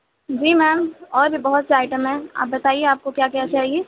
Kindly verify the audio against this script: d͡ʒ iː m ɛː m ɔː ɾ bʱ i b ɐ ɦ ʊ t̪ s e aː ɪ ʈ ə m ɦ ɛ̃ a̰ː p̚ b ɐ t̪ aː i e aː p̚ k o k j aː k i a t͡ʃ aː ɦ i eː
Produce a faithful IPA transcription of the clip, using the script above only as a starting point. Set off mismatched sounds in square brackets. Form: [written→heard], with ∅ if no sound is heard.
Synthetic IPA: d͡ʒ iː m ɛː m ɔː ɾ bʱ i b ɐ ɦ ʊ t̪ s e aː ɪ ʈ ə m ɦ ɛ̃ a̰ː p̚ b ɐ t̪ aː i e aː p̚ k o k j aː k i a t͡ʃ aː ɦ i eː